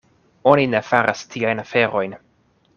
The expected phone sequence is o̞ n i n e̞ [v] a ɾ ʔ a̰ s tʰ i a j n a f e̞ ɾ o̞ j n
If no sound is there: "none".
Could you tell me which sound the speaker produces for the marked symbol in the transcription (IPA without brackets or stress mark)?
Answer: f